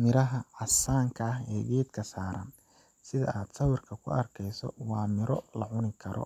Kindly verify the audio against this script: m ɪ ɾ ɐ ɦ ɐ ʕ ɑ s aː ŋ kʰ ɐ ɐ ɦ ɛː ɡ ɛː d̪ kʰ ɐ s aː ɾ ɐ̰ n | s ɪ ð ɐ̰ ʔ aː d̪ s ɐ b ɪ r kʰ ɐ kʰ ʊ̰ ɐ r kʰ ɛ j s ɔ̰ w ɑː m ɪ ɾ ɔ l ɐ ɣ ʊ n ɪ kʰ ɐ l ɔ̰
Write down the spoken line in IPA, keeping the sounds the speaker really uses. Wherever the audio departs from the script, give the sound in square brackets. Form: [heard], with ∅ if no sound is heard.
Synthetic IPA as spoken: m ɪ ɾ ɐ ɦ ɐ ʕ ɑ s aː ŋ kʰ ɐ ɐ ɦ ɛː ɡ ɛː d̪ kʰ ɐ s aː ɾ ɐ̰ n | s ɪ ð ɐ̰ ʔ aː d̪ s ɐ [w] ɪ r kʰ ɐ kʰ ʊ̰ ɐ r kʰ ɛ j s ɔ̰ w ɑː m ɪ ɾ ɔ l ɐ [ʕ] ʊ n ɪ kʰ ɐ [ɾ] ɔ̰